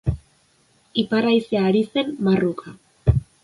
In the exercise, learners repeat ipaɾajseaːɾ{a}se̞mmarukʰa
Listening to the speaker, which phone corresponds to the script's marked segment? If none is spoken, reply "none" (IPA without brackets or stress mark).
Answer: i